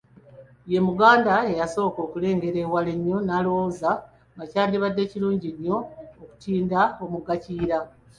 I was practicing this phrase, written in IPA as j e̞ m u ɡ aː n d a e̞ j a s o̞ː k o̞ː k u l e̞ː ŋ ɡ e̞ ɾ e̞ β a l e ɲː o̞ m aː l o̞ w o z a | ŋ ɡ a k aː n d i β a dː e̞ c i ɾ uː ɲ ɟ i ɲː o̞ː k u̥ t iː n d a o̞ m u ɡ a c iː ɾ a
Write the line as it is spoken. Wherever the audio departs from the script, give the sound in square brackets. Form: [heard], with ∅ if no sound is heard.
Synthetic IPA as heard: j e̞ m u ɡ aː n d a e̞ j a s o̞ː k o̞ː k u l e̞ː ŋ ɡ e̞ ɾ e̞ [w] a l e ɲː o̞ [n] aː l o̞ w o z a | ŋ ɡ a [c] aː n d i β a dː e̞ c i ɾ uː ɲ ɟ i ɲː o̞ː k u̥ t iː n d a o̞ m u ɡ a c iː ɾ a

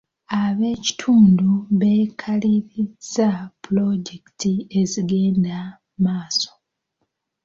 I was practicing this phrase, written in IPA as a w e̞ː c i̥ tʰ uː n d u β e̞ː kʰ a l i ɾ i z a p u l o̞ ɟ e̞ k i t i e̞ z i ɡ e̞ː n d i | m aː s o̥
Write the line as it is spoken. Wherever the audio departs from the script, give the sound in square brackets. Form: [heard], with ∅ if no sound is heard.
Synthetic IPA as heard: a [β] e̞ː c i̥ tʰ uː n d u β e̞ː kʰ a l i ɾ i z a p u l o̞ ɟ e̞ k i t i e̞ z i ɡ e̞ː n d [a] | m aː s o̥

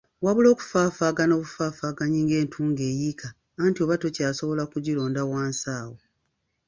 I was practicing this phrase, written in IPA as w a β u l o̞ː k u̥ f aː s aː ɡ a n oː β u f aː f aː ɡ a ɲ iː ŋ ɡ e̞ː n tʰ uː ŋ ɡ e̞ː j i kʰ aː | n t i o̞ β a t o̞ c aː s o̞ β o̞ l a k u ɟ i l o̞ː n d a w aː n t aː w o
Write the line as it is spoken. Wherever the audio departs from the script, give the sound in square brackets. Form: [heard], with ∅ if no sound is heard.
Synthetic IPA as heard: w a β u l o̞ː k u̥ f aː [f] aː ɡ a n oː β u f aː f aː ɡ a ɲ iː ŋ ɡ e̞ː n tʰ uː ŋ ɡ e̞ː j i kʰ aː | n t i o̞ β a t o̞ c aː s o̞ β o̞ l a k u ɟ i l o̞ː n d a w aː n [s] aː w o

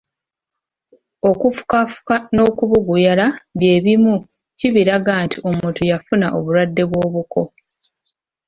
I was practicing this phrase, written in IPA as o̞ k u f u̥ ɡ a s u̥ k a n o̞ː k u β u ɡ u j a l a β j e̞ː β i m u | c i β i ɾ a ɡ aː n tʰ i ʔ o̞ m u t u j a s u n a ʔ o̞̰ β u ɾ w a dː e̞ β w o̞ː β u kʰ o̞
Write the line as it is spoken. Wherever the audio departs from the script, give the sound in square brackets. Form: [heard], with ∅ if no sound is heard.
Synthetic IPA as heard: o̞ k u f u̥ [k] a [f] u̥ k a n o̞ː k u β u ɡ u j a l a β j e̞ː β i m u | c i β i ɾ a ɡ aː n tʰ i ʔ o̞ m u t u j a [f] u n a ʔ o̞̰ β u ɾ w a dː e̞ β w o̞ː β u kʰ o̞

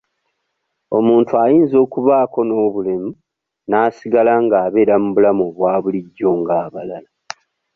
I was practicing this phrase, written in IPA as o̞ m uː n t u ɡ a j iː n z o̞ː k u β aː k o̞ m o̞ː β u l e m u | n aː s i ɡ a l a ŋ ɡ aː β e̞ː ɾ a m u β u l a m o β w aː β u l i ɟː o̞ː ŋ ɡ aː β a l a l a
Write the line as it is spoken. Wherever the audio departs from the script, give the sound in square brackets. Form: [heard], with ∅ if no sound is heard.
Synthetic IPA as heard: o̞ m uː n t u [∅] a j iː n z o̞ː k u β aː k o̞ [n] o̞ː β u l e m u | n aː s i ɡ a l a ŋ ɡ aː β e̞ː ɾ a m u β u l a m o β w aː β u l i ɟː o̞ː ŋ ɡ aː β a l a l a

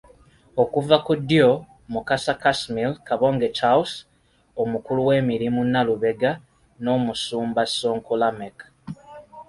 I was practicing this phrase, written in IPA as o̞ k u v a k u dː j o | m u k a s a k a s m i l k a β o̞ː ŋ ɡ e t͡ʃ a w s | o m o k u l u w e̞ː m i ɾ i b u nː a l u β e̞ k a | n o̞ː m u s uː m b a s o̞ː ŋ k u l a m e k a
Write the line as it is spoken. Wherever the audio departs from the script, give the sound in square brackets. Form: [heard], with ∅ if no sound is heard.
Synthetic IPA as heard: o̞ k u v a k u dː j o | m u k a s a k a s m i l k a β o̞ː ŋ ɡ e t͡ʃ a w s | o m [u] k u l u w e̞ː m i ɾ i [m] u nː a l u β e̞ [ɡ] a | n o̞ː m u s uː m b a s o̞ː ŋ k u l a m e k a

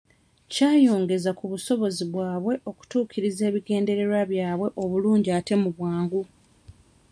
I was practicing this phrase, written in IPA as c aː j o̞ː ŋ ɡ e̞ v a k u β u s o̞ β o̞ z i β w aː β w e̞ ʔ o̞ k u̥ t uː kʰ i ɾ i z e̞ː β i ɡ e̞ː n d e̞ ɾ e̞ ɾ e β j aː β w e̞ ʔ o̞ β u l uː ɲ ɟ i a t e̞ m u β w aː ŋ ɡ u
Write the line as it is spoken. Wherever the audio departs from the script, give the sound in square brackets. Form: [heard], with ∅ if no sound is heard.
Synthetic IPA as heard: c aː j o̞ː ŋ ɡ e̞ [z] a k u β u s o̞ β o̞ z i β w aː β w e̞ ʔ o̞ k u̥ t uː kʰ i ɾ i z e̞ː β i ɡ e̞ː n d e̞ ɾ e̞ ɾ [a] β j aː β w e̞ ʔ o̞ β u l uː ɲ ɟ i a t e̞ m u β w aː ŋ ɡ u

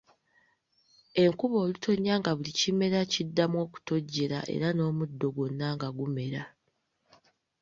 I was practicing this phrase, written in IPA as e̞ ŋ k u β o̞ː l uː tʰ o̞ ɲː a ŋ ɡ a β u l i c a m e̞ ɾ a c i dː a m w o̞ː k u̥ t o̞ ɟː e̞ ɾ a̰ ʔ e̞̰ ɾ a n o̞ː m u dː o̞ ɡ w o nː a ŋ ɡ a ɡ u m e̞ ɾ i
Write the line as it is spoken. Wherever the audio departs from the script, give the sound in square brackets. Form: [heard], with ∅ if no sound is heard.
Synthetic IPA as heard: e̞ ŋ k u β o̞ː l [u] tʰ o̞ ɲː a ŋ ɡ a β u l i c [i] m e̞ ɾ a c i dː a m w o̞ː k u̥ t o̞ ɟː e̞ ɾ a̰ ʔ e̞̰ ɾ a n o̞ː m u dː o̞ ɡ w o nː a ŋ ɡ a ɡ u m e̞ ɾ [a]

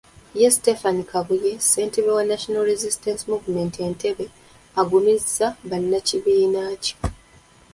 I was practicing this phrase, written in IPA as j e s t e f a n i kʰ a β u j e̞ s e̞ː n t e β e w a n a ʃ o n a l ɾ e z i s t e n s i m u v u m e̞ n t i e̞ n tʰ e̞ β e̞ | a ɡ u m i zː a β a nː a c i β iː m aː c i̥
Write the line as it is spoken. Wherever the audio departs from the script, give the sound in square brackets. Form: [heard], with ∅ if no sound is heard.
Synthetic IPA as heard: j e s t e f a n i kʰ a β u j e̞ s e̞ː n t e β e w a n a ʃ o n a l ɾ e z i s t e n s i m u v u m e̞ n t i e̞ n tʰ e̞ β e̞ | a ɡ u m i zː a β a nː a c i β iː [n] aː c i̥

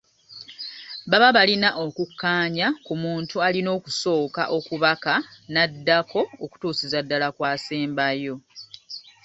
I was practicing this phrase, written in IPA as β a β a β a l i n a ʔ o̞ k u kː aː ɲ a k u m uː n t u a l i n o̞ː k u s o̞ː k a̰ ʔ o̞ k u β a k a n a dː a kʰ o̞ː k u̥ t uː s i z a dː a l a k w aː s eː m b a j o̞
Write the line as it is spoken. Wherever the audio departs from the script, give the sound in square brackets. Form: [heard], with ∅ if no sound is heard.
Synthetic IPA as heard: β a β a β a l i n a ʔ o̞ k u kː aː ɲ a k u m uː n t u a l i n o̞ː k u s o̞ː k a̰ ʔ o̞ k u β a k a n a dː a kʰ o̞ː k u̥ t uː s i z a dː a l a k w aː s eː m b a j o̞

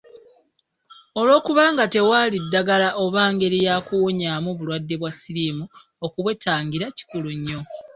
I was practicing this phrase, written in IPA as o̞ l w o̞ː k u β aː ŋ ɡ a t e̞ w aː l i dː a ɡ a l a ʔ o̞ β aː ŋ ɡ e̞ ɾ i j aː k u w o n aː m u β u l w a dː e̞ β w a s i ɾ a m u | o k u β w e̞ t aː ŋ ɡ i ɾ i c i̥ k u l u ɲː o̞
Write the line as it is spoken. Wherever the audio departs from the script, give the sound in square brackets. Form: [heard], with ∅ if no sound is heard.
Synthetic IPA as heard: o̞ l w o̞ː k u β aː ŋ ɡ a t e̞ w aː l i dː a ɡ a l a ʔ o̞ β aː ŋ ɡ e̞ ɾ i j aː k u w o [ɲ] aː m u β u l w a dː e̞ β w a s i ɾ [i] m u | o k u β w e̞ t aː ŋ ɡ i ɾ [a] c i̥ k u l u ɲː o̞

